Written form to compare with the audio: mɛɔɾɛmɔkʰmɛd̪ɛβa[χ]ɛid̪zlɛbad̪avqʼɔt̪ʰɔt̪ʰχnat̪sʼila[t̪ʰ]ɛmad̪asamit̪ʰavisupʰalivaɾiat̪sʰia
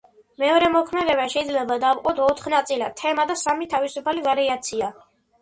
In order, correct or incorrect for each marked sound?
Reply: incorrect: ʃ, correct

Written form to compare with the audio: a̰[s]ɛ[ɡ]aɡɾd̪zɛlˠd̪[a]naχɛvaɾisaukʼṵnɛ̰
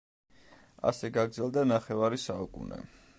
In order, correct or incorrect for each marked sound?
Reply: correct, correct, correct

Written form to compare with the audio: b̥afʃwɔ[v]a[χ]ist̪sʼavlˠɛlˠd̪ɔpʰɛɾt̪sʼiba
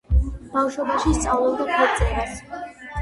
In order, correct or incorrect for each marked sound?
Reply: incorrect: b, incorrect: ʃ

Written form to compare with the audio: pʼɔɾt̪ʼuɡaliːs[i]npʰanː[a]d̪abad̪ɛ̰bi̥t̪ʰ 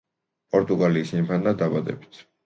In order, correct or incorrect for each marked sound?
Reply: correct, correct

